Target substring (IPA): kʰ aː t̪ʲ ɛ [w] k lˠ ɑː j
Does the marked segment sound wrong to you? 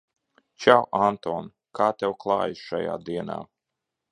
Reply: no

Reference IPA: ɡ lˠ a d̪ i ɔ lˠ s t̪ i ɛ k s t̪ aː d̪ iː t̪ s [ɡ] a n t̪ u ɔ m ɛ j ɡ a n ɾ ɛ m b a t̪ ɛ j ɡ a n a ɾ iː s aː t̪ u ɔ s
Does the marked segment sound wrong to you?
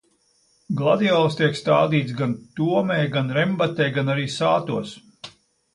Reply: no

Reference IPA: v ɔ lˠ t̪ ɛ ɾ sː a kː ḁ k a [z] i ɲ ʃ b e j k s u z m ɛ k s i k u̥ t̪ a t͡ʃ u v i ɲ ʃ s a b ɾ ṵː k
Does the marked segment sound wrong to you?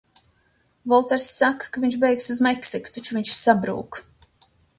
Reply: yes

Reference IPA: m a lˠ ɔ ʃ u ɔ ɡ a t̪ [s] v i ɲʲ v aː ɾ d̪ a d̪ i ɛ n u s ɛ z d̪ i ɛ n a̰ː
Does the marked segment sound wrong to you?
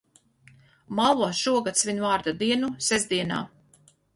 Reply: no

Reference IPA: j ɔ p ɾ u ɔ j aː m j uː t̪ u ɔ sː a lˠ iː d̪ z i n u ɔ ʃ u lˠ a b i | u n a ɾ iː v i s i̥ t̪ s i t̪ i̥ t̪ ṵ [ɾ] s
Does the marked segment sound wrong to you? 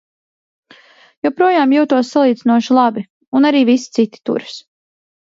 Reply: no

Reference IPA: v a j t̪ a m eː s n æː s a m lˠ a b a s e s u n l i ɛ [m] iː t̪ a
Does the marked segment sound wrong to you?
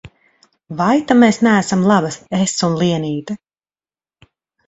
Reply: yes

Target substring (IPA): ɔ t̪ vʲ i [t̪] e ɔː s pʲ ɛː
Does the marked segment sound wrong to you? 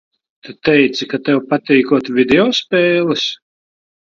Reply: yes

